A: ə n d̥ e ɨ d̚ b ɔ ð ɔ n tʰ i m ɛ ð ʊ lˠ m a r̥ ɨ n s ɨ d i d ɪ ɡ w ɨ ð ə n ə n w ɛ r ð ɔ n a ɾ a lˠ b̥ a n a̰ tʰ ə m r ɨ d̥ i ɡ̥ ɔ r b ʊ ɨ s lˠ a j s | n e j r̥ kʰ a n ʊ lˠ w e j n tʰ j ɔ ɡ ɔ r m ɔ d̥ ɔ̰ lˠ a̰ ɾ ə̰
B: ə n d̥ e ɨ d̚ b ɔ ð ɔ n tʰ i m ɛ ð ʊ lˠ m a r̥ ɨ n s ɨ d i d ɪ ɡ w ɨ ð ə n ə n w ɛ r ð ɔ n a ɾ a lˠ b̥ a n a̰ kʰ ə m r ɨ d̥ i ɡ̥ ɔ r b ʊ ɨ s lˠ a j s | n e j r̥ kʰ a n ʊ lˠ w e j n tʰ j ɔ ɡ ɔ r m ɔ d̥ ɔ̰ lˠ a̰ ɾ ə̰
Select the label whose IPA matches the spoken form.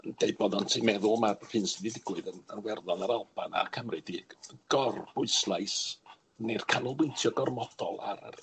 B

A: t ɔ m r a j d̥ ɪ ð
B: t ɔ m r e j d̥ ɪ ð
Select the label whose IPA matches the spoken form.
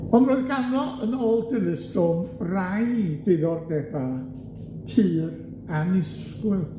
A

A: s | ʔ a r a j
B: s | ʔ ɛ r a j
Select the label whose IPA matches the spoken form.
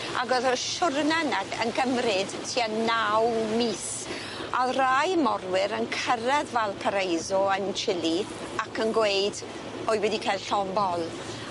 A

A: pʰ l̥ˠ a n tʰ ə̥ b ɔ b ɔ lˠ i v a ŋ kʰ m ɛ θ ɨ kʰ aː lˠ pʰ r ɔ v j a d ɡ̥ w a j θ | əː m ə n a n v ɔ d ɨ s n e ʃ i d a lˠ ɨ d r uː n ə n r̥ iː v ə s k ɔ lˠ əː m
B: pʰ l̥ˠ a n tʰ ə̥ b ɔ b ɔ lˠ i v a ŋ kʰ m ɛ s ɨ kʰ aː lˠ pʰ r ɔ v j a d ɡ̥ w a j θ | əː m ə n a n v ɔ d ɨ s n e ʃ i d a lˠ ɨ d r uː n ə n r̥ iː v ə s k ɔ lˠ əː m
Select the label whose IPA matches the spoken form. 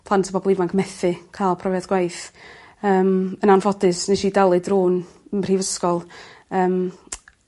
A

